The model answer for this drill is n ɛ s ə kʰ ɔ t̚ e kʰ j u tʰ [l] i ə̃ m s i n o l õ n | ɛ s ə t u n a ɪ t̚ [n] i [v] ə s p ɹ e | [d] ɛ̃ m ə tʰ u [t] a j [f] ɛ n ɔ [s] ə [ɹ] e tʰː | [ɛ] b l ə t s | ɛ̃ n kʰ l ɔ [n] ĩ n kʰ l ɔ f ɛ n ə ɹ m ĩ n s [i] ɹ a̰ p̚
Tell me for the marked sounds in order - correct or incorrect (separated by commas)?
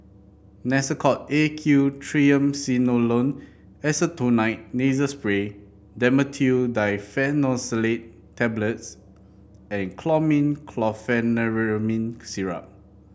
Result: incorrect, correct, incorrect, correct, incorrect, correct, correct, incorrect, correct, incorrect, correct